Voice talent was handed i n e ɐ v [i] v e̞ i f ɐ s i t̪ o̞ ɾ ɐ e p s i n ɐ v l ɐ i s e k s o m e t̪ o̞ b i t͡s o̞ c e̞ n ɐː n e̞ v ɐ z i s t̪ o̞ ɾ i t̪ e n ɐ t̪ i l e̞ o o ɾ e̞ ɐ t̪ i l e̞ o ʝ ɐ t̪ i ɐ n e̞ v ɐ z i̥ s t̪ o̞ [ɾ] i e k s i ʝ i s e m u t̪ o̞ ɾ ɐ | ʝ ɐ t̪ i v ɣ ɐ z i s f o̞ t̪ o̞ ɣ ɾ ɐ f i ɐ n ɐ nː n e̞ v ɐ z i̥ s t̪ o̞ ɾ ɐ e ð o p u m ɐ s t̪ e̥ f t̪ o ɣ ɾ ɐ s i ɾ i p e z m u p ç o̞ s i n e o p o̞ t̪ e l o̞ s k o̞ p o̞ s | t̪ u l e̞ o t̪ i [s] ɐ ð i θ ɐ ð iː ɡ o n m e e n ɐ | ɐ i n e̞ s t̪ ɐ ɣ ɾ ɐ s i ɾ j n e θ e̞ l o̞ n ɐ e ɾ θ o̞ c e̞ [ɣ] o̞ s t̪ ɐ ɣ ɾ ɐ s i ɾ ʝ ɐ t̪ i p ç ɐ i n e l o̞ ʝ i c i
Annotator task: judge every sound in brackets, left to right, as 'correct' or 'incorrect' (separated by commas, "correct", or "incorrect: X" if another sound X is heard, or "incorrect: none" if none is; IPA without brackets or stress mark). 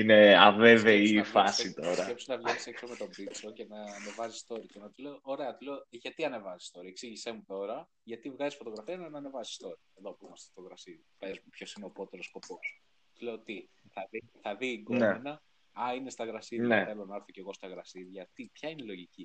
incorrect: e, correct, incorrect: θ, correct